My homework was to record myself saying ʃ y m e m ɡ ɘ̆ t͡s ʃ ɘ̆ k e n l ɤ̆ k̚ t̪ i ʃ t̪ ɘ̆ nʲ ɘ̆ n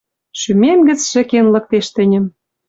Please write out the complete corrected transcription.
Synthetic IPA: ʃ y m e m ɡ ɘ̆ t͡s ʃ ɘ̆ k e n l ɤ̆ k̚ t̪ e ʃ t̪ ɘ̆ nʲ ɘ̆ m